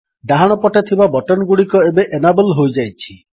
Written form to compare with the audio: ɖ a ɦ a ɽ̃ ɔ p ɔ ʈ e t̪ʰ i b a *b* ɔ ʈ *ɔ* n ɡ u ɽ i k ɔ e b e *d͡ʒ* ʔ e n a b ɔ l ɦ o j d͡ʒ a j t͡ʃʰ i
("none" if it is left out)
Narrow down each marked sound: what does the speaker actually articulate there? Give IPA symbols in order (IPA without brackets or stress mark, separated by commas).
b, ɔ, none